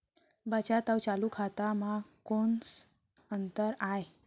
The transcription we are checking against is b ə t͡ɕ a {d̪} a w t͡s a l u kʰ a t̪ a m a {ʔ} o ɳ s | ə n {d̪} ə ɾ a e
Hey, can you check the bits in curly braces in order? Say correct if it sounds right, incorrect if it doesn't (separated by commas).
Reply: incorrect, incorrect, incorrect